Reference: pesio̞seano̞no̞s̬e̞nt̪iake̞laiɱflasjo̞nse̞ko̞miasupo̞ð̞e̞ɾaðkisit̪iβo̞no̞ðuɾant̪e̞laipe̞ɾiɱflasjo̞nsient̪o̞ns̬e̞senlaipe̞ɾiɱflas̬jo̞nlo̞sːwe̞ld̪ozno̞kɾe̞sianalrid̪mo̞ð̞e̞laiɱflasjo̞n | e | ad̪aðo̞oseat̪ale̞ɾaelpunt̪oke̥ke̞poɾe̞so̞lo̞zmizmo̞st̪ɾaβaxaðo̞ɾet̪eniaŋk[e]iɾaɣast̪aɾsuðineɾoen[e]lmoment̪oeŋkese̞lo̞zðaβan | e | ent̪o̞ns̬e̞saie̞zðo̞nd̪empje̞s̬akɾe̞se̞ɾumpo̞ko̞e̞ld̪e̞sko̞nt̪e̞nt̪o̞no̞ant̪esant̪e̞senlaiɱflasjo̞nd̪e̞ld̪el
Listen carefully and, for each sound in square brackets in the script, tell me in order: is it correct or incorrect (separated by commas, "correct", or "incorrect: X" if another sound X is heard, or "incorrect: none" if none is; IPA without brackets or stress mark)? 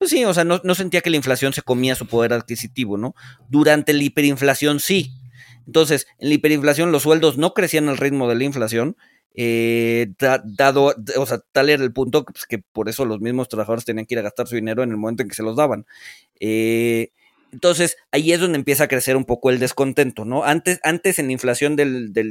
correct, correct